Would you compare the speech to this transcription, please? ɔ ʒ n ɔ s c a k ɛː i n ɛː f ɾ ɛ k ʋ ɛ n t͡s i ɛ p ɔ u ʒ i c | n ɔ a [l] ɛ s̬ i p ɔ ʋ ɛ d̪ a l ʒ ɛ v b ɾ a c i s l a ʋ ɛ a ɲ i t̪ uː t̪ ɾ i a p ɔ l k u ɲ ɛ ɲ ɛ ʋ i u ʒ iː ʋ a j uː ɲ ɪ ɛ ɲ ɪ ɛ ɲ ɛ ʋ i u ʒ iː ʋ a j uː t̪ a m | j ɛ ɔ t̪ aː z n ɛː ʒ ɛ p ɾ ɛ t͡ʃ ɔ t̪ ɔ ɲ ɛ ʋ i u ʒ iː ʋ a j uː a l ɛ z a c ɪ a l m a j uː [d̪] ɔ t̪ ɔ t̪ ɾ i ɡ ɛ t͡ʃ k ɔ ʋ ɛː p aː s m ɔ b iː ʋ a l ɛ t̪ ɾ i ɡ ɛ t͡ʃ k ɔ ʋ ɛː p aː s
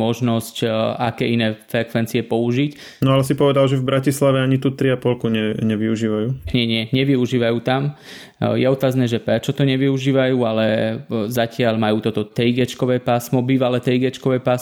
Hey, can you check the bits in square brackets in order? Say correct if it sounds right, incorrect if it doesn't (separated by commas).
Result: correct, incorrect